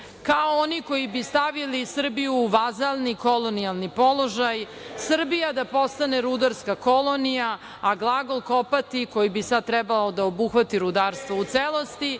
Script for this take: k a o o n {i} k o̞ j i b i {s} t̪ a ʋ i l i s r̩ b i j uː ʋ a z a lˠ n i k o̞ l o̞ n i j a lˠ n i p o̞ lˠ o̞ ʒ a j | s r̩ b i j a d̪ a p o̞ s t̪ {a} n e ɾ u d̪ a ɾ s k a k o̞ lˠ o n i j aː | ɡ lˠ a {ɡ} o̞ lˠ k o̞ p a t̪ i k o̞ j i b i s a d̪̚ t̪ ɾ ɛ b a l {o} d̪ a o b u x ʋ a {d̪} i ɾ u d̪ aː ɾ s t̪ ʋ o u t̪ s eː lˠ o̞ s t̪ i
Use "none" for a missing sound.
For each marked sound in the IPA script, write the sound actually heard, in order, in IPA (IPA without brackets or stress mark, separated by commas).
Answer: i, s, a, ɡ, o, t̪